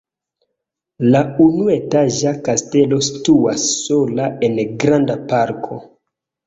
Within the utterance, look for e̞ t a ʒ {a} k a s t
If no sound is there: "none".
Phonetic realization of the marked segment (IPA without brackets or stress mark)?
a